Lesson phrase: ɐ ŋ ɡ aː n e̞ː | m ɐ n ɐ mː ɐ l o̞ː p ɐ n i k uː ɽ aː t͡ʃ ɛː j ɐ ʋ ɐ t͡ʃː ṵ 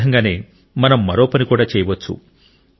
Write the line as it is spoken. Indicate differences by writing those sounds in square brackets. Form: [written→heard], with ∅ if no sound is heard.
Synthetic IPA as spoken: ɐ ŋ ɡ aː n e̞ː | m ɐ n ɐ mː ɐ [l→ɾ] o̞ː p ɐ n i k uː ɽ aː t͡ʃ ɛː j ɐ ʋ ɐ t͡ʃː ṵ